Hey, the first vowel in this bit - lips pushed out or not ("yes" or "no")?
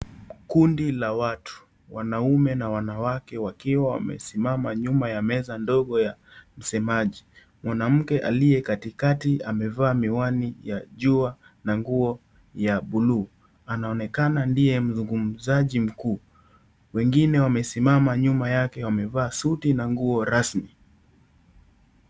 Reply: yes